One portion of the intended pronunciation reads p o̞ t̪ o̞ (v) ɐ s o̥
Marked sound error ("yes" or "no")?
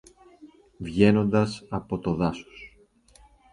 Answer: yes